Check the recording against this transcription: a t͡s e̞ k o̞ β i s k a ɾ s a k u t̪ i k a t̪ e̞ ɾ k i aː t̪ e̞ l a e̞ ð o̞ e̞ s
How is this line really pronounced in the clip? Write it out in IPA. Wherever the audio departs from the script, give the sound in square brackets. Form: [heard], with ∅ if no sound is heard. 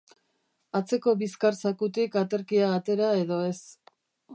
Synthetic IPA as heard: a t͡s e̞ k o̞ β i s k a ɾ s a k u t̪ i k a t̪ e̞ ɾ k i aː t̪ e̞ [ɾ] a e̞ ð o̞ e̞ s